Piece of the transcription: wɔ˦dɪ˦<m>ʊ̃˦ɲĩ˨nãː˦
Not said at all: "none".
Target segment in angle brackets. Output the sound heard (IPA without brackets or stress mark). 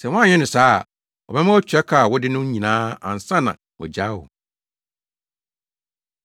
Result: n